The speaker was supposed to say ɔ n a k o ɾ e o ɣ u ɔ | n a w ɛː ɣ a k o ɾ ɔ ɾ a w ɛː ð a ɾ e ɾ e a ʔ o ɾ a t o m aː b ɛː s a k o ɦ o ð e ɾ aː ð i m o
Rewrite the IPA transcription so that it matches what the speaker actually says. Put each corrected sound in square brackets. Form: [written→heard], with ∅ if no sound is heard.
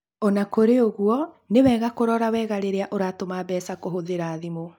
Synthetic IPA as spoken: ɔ n a k o ɾ e o ɣ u ɔ | n [a→e] w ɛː ɣ a k o ɾ ɔ ɾ a w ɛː [ð→ɣ] a ɾ e ɾ e a ʔ o ɾ a t o m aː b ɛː s a k o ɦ o ð e ɾ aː ð i m o